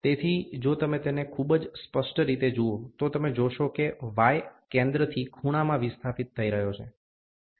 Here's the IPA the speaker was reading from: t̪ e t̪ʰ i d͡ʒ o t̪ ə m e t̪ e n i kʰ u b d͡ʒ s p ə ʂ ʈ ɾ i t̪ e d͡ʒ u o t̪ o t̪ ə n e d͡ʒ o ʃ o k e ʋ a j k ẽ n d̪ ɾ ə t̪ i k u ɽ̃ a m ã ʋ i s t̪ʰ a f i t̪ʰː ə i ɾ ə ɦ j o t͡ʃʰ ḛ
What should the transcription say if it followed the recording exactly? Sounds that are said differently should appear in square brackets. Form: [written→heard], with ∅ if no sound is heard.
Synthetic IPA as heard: t̪ e t̪ʰ i d͡ʒ o t̪ ə m e t̪ e n [i→e] kʰ u b d͡ʒ s p ə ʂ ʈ ɾ i t̪ e d͡ʒ u o t̪ o t̪ ə [n→m] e d͡ʒ o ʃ o k e ʋ a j k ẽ n d̪ ɾ ə [t̪→t̪ʰ] i [k→kʰ] u ɽ̃ a m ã ʋ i s t̪ʰ a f i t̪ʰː ə i ɾ ə ɦ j o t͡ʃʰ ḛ

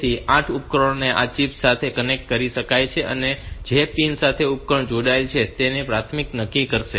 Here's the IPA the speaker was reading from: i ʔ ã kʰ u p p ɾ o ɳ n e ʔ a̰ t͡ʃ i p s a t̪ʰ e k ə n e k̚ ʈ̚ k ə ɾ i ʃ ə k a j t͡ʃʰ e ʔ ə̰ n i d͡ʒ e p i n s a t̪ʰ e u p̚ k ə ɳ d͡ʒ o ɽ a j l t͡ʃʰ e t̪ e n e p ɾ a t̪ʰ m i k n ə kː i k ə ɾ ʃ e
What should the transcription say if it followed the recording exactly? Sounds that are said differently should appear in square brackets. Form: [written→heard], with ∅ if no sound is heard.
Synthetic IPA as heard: i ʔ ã [kʰ→ʈʰ] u p [p→k] ɾ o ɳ n e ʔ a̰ t͡ʃ i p s a t̪ʰ e k ə n e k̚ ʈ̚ k ə ɾ i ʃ ə k a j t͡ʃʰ e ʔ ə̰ n [i→e] d͡ʒ e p i n s a t̪ʰ e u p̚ k ə ɳ d͡ʒ o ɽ a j l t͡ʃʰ e t̪ e n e p ɾ a t̪ʰ m i k n ə kː i k ə ɾ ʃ e

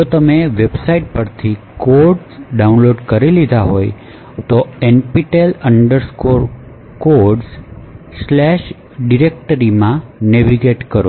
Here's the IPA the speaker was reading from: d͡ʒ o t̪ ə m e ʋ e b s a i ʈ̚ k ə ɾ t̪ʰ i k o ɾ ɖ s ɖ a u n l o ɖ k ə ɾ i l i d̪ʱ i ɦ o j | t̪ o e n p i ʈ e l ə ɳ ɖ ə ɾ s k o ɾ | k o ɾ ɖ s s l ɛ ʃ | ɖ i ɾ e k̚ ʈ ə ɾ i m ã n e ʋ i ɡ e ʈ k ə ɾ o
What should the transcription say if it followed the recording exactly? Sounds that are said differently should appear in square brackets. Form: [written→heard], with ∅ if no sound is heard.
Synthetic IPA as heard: d͡ʒ o t̪ ə m e ʋ e b s a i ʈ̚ [k→p] ə ɾ t̪ʰ i k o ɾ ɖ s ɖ a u n l o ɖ k ə ɾ i l i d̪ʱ [i→a] ɦ o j | t̪ o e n p i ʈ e l ə ɳ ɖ ə ɾ s k o ɾ | k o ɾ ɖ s s l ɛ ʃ | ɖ i ɾ e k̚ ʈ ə ɾ i m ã n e ʋ i ɡ e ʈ k ə ɾ o

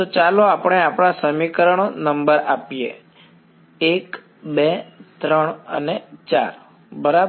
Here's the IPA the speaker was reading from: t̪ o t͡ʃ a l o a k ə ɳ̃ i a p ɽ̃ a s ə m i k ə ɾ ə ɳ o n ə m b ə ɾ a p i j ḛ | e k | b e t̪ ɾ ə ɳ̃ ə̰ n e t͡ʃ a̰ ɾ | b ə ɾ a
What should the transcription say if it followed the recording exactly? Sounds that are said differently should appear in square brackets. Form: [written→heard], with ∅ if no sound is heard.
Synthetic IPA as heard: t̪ o t͡ʃ a l o a [k→p] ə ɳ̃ [i→e] a p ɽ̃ a s ə m i k ə ɾ ə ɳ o n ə m b ə ɾ a p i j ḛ | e k | b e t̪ ɾ ə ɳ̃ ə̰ n e t͡ʃ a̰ ɾ | b ə ɾ a

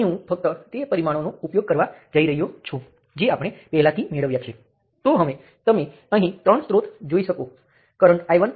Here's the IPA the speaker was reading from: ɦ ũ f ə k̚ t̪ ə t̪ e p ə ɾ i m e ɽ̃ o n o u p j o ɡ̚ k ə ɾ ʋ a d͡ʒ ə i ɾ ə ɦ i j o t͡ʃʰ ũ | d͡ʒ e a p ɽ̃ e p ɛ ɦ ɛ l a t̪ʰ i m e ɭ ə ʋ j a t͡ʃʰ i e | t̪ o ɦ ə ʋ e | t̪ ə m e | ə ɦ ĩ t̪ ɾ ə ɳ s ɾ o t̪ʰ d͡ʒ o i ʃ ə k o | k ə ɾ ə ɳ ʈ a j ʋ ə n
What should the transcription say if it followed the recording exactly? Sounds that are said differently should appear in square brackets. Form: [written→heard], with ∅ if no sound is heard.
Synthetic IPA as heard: ɦ ũ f ə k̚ t̪ ə t̪ e p ə ɾ i m [e→a] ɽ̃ o n o u p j o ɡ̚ k ə ɾ ʋ a d͡ʒ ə i ɾ ə ɦ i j o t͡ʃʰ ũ | d͡ʒ e a p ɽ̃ e p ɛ ɦ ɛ l a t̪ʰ i m e ɭ ə ʋ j a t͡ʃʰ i e | t̪ o ɦ ə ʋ e | t̪ ə m e | ə ɦ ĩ t̪ ɾ ə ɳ s ɾ o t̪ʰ d͡ʒ o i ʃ ə k o | k ə ɾ ə ɳ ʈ a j ʋ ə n

